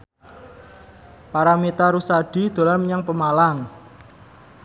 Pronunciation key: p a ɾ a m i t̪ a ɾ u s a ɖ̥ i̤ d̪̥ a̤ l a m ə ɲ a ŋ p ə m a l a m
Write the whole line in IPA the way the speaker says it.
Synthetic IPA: p a ɾ a m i t̪ a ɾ u s a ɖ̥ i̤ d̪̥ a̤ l a m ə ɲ a ŋ p ə m a l a ŋ